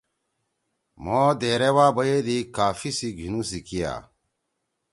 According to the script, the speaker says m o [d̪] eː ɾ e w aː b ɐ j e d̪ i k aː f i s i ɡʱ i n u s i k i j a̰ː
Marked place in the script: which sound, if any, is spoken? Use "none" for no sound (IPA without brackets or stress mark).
d̪